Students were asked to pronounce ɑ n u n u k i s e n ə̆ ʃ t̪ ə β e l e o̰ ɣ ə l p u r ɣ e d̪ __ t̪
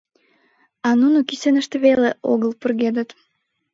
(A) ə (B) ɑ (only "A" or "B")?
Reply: A